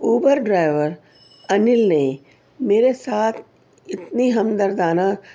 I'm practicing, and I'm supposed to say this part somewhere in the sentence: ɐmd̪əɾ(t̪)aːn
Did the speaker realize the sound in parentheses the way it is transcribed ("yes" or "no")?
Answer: no